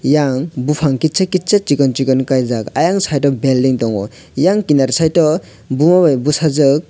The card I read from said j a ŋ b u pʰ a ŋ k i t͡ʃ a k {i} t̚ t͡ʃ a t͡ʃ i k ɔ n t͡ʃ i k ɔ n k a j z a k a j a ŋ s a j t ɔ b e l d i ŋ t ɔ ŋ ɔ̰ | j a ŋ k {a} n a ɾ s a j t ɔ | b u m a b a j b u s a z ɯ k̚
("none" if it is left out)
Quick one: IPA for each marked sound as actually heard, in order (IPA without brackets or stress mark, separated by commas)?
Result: i, i